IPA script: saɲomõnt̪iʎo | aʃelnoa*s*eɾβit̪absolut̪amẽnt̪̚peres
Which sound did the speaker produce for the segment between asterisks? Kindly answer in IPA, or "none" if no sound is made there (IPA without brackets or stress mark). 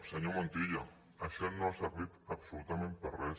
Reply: s